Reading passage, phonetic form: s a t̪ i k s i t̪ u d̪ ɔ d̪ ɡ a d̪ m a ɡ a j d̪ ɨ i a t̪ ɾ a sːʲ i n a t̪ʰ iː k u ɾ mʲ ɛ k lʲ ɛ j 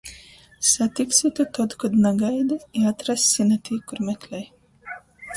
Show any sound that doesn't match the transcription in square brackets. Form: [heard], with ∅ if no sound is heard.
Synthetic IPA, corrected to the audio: s a t̪ i k s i t̪ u [t̪] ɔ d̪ [k] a d̪ [n] a ɡ a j d̪ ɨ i a t̪ ɾ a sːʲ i n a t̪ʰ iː k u ɾ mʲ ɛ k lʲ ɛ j